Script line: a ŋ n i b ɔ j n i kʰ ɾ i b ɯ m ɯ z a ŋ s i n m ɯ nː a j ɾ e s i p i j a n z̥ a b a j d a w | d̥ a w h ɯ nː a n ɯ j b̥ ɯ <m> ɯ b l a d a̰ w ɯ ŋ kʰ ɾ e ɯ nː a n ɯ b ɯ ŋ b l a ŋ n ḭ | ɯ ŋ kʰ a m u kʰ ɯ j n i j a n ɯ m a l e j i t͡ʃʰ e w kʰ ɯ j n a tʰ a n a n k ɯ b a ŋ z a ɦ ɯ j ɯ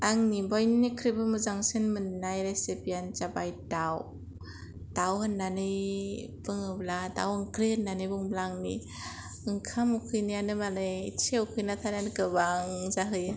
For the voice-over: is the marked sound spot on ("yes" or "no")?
no